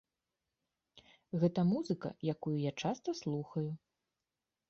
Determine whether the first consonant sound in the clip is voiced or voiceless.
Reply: voiced